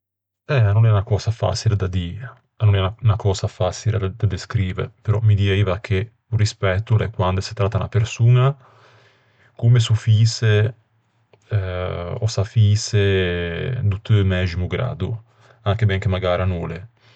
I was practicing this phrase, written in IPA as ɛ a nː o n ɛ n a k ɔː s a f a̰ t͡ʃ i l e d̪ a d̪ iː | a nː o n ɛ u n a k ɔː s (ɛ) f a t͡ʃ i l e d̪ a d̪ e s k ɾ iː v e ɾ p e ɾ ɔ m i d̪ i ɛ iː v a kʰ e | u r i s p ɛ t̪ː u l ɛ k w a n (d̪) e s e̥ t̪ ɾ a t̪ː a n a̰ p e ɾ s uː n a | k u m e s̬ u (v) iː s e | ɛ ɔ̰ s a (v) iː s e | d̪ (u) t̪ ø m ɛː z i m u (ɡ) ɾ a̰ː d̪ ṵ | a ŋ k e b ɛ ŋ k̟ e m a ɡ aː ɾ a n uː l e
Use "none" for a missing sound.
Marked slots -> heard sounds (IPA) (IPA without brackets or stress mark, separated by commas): a, d̪, f, f, u, ɡ